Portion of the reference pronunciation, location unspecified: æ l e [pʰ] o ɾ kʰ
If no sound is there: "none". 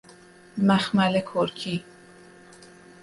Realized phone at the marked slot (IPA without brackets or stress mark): kʰ